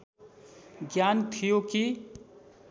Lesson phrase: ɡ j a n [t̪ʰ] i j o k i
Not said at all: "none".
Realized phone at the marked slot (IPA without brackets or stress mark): t̪ʰ